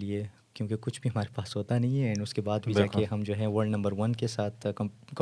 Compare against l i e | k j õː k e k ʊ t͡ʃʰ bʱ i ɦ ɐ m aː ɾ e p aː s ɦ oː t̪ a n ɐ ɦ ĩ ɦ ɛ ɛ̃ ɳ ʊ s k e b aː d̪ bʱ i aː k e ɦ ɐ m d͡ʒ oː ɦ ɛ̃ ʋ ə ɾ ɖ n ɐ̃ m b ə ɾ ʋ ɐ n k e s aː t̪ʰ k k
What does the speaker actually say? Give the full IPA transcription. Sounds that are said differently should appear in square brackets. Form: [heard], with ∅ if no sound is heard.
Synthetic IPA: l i e | k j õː k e k ʊ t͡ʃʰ bʱ i ɦ ɐ m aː ɾ e p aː s ɦ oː t̪ a n ɐ ɦ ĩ ɦ ɛ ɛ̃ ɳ ʊ s k e b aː d̪ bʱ i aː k e ɦ ɐ m d͡ʒ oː ɦ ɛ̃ ʋ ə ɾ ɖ n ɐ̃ m b ə ɾ ʋ ɐ n k e s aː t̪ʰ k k